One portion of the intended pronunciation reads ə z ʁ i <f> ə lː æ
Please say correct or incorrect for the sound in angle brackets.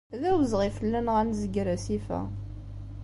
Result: correct